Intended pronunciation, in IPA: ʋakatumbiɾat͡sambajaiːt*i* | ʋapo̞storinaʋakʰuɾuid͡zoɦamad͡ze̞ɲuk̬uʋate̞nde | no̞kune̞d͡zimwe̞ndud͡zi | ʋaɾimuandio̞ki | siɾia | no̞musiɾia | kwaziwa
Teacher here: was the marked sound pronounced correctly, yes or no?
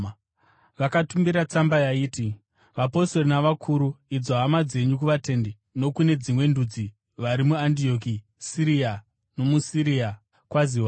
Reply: yes